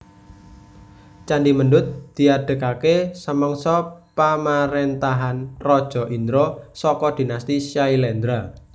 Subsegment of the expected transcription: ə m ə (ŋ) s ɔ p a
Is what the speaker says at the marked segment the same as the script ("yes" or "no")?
yes